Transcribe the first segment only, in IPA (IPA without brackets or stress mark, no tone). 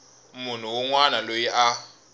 m